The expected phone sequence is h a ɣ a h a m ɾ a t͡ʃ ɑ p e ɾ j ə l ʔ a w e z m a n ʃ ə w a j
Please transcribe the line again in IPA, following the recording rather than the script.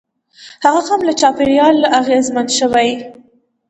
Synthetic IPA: h a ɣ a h a m l a t͡ʃ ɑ p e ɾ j ɑ l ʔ a ɣ e z m a n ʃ ə w a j